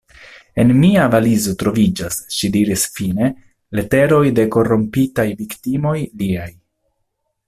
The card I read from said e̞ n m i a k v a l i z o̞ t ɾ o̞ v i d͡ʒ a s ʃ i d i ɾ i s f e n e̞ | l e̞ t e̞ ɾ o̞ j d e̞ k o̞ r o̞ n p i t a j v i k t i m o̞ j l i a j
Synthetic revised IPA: e̞ n m i a v a l i z o̞ t ɾ o̞ v i d͡ʒ a s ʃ i d i ɾ i s f i n e̞ | l e̞ t e̞ ɾ o̞ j d e̞ k o̞ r o̞ m p i t a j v i k t i m o̞ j l i a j